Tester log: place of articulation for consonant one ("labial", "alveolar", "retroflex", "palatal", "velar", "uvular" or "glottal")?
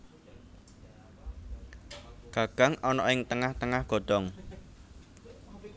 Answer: velar